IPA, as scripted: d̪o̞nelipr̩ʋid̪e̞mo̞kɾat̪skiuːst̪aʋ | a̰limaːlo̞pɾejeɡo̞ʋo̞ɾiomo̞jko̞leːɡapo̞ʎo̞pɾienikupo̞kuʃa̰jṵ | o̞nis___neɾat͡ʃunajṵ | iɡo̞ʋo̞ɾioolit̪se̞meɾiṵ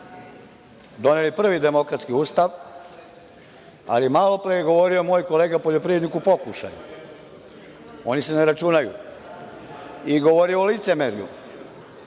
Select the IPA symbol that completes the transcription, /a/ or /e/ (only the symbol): e